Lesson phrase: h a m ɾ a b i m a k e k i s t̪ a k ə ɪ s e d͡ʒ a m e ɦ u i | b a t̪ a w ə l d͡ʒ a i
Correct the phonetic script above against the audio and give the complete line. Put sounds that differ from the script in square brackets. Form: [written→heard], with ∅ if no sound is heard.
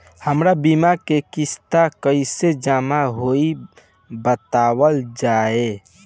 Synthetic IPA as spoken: h [a→ə] m ɾ a b i m a k e k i s t̪ a k ə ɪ s e d͡ʒ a m [e→a] ɦ [u→o] i | b [a→ə] t̪ a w ə l d͡ʒ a [i→e]